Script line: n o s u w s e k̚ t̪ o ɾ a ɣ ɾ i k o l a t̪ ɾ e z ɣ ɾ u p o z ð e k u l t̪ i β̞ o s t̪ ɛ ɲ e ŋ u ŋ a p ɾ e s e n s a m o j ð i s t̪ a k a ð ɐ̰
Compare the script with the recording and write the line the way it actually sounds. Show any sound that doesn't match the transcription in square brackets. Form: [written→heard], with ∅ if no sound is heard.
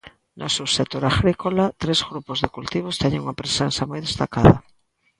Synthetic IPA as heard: n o s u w s e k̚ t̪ o ɾ a ɣ ɾ i k o l a t̪ ɾ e z ɣ ɾ u p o z ð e k u l t̪ i β̞ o s t̪ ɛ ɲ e ŋ u ŋ a p ɾ e s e n s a m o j ð [i→e] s t̪ a k a ð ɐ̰